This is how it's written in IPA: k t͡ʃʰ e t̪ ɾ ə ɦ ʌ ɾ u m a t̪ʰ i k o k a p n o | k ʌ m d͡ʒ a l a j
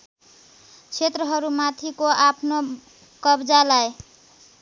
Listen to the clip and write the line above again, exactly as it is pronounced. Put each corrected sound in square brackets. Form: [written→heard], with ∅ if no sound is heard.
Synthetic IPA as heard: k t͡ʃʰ e t̪ ɾ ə ɦ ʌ ɾ u m a t̪ʰ i k o [k→∅] a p n o | k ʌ [m→b] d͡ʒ a l a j